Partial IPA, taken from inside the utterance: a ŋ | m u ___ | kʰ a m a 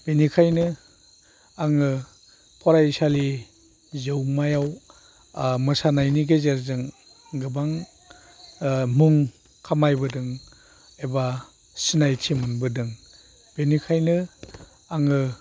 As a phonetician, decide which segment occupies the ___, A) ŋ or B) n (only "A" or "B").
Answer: A